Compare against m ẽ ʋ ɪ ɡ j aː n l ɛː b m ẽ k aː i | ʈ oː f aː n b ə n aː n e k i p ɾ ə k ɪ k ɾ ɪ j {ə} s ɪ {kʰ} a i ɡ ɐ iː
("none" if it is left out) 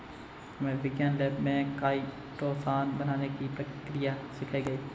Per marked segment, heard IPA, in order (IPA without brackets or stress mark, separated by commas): a, kʰ